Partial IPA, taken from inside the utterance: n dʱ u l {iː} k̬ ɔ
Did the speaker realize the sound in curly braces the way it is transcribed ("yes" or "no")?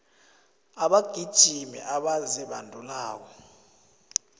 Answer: no